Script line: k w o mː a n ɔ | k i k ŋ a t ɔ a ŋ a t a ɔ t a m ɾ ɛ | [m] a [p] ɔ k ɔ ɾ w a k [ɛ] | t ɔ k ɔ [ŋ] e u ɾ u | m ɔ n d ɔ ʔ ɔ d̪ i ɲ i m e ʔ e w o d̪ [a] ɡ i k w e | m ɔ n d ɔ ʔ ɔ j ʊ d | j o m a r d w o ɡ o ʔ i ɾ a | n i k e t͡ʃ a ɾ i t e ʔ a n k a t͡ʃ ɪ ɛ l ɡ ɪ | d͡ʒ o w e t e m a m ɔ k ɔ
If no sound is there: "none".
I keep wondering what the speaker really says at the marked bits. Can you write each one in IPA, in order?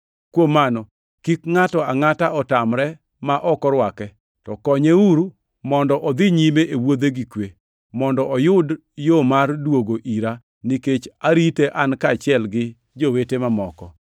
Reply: m, ʔ, ɛ, ɲ, e

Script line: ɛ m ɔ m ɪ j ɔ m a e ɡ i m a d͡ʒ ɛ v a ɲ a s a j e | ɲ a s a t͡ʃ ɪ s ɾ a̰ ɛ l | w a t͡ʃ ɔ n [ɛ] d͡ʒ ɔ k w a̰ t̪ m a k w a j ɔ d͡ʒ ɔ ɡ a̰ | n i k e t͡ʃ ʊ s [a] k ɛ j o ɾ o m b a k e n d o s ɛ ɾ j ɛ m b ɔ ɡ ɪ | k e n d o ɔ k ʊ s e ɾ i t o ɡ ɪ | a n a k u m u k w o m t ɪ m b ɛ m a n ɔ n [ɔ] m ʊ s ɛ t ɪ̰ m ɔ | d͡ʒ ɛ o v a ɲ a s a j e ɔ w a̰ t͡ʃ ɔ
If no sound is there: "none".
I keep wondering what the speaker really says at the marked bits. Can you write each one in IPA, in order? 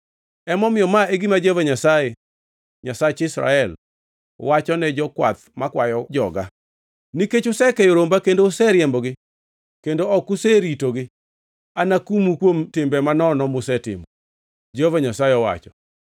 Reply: ɛ, ɛ, ɔ

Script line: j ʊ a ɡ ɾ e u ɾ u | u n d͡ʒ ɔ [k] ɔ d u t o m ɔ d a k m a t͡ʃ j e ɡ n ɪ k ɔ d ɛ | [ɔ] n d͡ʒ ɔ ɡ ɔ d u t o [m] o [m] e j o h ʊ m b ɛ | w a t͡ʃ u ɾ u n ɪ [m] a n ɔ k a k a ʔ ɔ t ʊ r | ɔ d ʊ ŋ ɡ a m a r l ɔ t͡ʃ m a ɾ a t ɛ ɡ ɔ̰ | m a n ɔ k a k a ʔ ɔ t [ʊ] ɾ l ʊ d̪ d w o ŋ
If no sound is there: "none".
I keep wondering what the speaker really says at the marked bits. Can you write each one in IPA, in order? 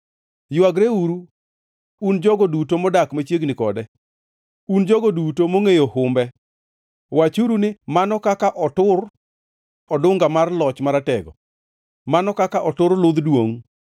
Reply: ɡ, u, m, ŋ, m, ʊ

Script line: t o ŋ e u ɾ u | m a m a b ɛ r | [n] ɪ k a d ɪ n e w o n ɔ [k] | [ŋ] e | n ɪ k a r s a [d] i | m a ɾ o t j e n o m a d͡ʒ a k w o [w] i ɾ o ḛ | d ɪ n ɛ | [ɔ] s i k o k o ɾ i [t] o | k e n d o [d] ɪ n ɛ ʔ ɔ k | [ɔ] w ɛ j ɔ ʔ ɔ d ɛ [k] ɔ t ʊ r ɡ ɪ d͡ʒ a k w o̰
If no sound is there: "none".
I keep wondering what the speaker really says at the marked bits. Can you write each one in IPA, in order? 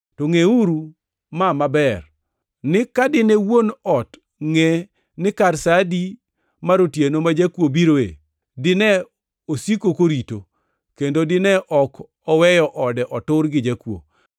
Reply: n, t, ŋ, d, b, o, t, d, ɔ, ʔ

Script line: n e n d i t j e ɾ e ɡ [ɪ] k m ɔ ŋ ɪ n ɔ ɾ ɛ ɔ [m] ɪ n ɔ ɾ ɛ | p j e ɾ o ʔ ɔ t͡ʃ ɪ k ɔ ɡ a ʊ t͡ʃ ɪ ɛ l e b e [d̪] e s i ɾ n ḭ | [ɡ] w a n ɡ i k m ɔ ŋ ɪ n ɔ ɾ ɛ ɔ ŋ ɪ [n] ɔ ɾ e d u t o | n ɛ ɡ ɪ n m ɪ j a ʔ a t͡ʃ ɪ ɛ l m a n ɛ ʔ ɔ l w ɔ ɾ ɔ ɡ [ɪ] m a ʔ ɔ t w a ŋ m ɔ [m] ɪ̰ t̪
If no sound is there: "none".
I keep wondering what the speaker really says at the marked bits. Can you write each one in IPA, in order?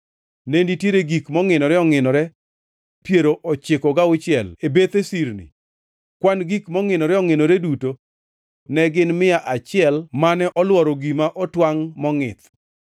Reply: i, ŋ, t̪, k, n, i, ŋ

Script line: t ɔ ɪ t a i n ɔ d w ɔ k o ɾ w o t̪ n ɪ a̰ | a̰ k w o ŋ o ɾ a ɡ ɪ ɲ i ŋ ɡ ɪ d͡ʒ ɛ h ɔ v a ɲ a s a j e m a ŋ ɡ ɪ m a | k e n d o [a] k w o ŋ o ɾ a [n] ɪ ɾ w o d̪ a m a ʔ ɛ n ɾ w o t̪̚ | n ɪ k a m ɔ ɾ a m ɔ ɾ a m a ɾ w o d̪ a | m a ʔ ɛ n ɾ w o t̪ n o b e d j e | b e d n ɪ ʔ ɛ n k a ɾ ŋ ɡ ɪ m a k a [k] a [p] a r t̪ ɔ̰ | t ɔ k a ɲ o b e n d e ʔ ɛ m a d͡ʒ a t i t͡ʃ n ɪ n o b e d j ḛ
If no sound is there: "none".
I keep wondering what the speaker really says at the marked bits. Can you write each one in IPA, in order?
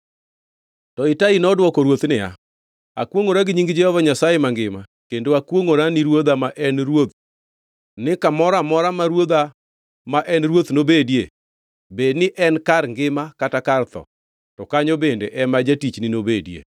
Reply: a, n, t, k

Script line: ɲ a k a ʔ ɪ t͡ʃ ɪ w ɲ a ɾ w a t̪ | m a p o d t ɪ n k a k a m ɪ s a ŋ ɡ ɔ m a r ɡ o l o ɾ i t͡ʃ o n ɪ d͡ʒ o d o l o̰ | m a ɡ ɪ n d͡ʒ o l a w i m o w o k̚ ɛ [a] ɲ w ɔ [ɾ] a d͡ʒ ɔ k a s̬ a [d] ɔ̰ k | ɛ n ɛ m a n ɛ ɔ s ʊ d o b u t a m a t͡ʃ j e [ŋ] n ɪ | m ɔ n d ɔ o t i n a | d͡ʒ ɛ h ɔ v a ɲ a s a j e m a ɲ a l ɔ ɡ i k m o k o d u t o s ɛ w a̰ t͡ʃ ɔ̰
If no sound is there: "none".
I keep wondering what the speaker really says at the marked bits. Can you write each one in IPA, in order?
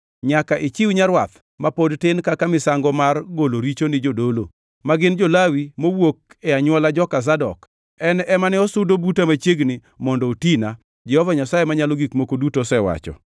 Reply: a, l, d, ɡ

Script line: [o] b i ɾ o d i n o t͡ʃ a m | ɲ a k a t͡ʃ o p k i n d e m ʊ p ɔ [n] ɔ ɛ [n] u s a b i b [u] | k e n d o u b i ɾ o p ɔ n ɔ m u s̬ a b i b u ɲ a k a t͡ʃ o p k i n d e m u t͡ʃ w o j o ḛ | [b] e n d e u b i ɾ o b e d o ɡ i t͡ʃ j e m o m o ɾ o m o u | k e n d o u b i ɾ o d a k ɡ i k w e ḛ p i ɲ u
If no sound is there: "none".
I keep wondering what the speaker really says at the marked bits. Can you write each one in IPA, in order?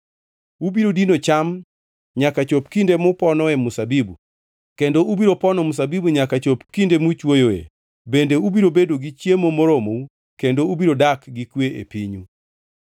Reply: u, n, m, u, b

